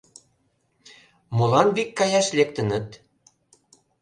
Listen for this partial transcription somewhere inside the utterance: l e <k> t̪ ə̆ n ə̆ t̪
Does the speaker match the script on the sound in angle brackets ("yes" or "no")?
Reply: yes